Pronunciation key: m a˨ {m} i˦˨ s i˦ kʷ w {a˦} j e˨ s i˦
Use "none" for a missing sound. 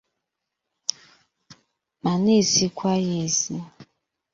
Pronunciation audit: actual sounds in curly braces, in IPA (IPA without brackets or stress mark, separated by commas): n, a˦